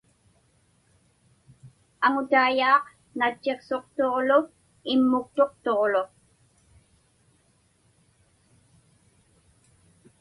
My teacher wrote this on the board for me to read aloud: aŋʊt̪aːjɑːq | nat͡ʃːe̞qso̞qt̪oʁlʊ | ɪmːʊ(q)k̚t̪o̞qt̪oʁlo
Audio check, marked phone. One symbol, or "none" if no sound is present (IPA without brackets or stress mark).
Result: none